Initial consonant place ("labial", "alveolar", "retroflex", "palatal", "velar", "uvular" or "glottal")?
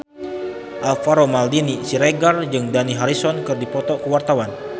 glottal